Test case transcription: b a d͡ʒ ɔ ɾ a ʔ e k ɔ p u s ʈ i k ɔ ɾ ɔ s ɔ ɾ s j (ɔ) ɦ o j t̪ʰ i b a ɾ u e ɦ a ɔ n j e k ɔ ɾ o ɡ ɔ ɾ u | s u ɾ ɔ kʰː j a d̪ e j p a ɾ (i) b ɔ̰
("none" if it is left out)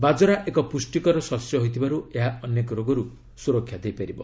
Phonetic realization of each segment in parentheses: ɔ, i

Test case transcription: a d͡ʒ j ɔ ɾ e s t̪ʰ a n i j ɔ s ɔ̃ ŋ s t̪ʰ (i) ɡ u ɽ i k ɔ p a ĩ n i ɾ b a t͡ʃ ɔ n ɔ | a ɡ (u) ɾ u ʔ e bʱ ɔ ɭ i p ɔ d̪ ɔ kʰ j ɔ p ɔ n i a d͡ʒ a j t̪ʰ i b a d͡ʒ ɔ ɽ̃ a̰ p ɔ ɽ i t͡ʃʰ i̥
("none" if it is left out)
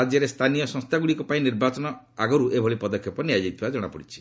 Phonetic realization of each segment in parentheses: a, ɔ

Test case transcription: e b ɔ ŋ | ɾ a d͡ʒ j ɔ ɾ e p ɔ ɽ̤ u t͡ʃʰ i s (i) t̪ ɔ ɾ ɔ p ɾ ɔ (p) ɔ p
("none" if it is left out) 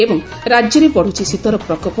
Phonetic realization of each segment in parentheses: i, k

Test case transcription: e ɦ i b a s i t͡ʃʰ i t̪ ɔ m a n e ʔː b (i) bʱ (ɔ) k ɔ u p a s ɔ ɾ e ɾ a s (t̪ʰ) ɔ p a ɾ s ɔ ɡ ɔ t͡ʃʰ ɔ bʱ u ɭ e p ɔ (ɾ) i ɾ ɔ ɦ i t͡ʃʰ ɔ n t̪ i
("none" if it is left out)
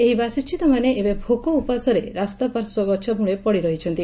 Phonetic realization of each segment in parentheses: e, o, t̪, ɽ

